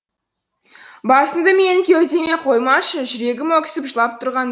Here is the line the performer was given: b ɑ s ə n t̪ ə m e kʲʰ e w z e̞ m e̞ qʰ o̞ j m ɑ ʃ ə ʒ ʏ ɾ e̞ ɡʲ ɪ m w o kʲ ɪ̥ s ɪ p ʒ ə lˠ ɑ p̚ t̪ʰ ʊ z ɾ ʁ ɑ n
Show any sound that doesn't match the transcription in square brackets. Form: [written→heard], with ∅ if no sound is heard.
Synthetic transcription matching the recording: b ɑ s ə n [t̪→d̪] ə m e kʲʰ e w z e̞ m e̞ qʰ o̞ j m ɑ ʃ ə ʒ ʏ ɾ e̞ ɡʲ ɪ m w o kʲ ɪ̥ s ɪ p ʒ ə lˠ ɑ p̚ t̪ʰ ʊ [z→∅] ɾ ʁ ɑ n